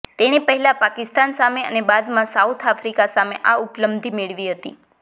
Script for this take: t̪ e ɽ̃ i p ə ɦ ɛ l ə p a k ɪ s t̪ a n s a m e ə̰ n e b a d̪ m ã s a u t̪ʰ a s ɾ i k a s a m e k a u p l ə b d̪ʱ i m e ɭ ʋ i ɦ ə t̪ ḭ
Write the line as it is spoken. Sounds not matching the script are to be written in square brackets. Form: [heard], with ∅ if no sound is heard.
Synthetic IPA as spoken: t̪ e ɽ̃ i p ə ɦ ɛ l [a] p a k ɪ s t̪ a n s a m e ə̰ n e b a d̪ m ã s a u t̪ʰ a [f] ɾ i k a s a m e [ʔ] a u p l ə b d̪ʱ i m e ɭ ʋ i ɦ ə t̪ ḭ